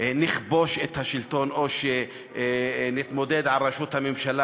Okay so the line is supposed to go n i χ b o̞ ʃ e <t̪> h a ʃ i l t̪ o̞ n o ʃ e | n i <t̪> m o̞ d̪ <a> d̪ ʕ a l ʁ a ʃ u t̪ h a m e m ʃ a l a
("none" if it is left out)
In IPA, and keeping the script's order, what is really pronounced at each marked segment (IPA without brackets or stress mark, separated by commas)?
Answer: t̪, t̪, e